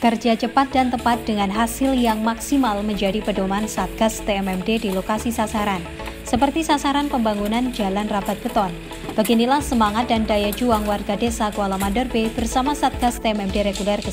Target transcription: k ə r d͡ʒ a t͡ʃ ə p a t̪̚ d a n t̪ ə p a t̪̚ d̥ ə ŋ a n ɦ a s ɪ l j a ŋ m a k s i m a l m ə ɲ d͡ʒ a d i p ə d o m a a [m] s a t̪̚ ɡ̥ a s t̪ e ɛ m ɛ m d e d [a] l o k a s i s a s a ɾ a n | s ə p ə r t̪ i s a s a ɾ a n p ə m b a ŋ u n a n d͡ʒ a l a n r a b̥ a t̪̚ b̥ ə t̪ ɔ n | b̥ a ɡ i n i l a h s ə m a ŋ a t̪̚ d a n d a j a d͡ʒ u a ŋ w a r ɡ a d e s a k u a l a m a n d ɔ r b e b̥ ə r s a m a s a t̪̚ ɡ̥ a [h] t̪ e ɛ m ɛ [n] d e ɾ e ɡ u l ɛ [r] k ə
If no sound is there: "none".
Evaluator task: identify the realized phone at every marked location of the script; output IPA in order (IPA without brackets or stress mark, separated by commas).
n, i, s, m, r